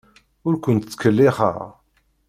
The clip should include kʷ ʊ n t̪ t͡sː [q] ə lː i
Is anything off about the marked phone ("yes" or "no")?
yes